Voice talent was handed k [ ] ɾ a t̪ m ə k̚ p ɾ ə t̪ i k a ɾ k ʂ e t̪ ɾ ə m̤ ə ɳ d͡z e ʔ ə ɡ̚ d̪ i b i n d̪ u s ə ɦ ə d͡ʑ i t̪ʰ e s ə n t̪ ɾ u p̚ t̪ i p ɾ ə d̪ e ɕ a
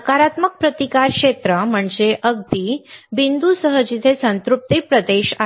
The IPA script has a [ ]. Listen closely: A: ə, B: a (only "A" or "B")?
B